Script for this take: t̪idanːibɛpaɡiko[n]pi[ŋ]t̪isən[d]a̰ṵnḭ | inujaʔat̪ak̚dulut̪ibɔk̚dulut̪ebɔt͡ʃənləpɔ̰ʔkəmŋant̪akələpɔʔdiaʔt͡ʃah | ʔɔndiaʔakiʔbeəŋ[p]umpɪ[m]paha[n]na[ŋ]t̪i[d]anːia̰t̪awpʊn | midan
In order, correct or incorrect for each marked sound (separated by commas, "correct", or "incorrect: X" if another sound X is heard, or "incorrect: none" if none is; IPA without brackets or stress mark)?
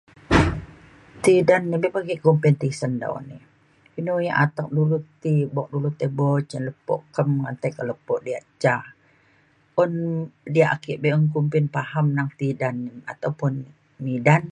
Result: incorrect: m, incorrect: n, correct, incorrect: k, incorrect: n, incorrect: m, correct, correct